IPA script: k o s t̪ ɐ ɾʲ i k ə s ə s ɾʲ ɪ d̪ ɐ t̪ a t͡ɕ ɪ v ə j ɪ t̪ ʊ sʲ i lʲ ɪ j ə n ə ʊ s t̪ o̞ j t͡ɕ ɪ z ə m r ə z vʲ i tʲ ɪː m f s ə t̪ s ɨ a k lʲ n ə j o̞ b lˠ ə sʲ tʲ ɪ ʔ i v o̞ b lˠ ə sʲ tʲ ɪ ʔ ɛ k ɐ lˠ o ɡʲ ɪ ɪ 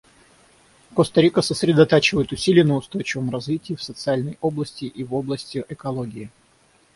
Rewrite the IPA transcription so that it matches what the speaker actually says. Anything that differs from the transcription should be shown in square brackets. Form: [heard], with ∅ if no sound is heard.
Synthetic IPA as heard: k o s t̪ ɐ ɾʲ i k ə s ə s ɾʲ ɪ d̪ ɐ t̪ a t͡ɕ ɪ v ə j ɪ t̪ ʊ sʲ i lʲ ɪ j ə n ə ʊ s t̪ o̞ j t͡ɕ ɪ [v] ə m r [ɐ] z vʲ i tʲ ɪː [∅] f s ə t̪ s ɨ a [∅] lʲ n ə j o̞ b lˠ ə sʲ tʲ ɪ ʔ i v o̞ b lˠ ə sʲ tʲ ɪ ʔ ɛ k ɐ lˠ o ɡʲ ɪ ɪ